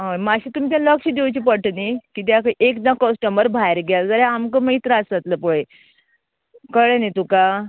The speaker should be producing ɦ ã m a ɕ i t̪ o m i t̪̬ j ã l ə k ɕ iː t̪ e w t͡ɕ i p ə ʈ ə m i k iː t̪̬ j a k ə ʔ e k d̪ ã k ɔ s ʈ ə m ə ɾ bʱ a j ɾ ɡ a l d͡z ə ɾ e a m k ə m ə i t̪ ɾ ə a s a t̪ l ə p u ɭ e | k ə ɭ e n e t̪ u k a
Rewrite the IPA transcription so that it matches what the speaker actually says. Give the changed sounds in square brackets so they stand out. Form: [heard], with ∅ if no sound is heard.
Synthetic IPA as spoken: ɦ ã m a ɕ i t̪ [u] m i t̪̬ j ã l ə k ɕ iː [d̪] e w t͡ɕ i p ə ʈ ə [n] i k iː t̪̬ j a k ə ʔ e k d̪ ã k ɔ s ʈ ə m ə ɾ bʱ a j ɾ ɡ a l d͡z ə ɾ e a m k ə m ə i t̪ ɾ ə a s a t̪ l ə p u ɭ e | k ə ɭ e n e t̪ u k a